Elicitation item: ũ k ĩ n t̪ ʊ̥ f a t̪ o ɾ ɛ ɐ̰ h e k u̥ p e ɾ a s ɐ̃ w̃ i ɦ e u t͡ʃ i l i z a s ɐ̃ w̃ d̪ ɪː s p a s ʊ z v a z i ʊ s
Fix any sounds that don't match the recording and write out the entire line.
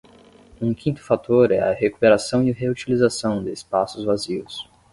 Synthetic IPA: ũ k ĩ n t̪ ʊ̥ f a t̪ o ɾ ɛ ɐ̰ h e k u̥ p e ɾ a s ɐ̃ w̃ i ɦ e u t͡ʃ i l i z a s ɐ̃ w̃ d̪ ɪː s p a s ʊ z v a z i ʊ s